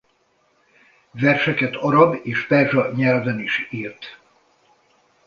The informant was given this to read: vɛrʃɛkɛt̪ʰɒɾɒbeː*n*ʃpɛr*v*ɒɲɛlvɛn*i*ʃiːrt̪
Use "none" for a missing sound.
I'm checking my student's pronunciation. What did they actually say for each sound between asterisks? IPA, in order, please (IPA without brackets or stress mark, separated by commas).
none, ʒ, i